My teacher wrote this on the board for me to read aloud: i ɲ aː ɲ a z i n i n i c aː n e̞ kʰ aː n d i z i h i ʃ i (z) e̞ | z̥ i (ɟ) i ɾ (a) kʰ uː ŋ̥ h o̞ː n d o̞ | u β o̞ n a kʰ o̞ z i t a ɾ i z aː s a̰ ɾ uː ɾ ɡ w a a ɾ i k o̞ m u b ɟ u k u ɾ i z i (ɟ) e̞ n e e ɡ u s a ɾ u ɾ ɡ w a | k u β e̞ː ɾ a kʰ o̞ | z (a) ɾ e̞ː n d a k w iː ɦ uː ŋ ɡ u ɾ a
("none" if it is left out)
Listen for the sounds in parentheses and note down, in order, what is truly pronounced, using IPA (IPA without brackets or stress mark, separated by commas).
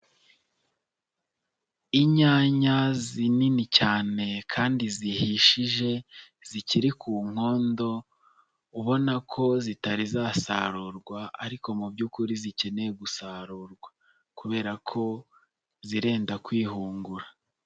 ʒ, c, i, c, i